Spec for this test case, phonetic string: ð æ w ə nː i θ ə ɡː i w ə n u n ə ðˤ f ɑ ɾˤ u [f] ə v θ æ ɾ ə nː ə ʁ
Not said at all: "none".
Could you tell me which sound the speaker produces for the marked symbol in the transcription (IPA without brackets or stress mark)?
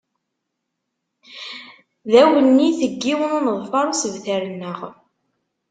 s